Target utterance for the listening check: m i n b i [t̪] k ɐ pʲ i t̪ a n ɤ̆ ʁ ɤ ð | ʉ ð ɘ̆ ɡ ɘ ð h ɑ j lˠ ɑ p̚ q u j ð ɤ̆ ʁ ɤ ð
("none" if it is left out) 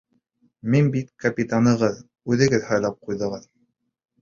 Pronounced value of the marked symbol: t̪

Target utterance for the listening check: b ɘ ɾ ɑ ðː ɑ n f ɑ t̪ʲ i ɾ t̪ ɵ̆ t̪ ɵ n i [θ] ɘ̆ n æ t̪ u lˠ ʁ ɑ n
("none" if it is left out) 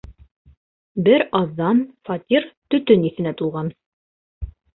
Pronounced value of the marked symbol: θ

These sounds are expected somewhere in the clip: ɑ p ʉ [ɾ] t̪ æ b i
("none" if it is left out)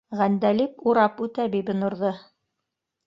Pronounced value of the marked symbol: none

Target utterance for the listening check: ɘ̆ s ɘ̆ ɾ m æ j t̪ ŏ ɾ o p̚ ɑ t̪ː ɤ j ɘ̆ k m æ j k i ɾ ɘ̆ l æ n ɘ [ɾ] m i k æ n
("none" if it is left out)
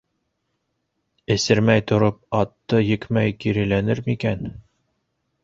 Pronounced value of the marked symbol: ɾ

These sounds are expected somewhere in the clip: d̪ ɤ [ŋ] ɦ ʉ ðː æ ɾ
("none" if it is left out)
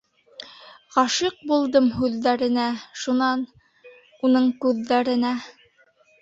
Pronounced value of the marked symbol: m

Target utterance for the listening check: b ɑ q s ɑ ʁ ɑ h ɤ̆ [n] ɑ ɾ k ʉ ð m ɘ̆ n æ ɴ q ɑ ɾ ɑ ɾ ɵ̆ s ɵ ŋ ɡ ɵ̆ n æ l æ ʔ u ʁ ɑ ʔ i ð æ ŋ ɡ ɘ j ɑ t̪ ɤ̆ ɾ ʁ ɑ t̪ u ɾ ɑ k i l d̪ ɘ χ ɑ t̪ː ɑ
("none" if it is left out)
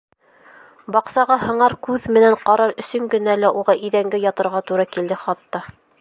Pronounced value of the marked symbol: ɴ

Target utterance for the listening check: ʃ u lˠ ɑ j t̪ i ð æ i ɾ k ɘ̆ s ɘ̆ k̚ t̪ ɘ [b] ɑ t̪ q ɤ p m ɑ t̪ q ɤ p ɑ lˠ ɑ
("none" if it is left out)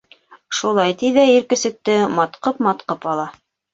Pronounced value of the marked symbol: m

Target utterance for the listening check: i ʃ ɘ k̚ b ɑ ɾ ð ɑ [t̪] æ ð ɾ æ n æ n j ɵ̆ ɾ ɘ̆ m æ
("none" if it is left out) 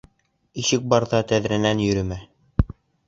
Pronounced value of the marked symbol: t̪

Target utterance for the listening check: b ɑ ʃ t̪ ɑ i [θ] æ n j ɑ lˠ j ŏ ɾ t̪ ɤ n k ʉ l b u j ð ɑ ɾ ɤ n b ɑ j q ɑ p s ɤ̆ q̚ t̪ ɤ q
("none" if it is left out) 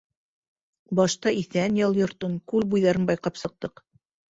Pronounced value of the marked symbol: θ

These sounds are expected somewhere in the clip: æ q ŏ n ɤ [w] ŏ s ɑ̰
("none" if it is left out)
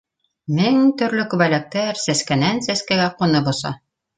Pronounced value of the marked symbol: b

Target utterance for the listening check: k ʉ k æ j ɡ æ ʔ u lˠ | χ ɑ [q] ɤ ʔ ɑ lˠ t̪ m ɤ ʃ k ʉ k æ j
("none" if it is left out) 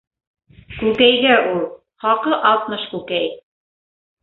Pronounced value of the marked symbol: q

